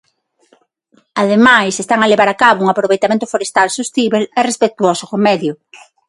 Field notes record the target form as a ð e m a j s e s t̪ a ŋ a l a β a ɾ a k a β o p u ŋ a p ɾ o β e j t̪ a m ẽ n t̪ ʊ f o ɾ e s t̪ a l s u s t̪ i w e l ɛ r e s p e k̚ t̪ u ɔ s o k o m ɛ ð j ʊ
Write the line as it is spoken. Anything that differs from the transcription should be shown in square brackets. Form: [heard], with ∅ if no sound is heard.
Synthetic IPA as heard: a ð e m a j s e s t̪ a ŋ a l [e] β a ɾ a k a β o [∅] u ŋ a p ɾ o β e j t̪ a m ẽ n t̪ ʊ f o ɾ e s t̪ a l s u s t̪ i [β] e l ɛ r e s p e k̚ t̪ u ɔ s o k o m ɛ ð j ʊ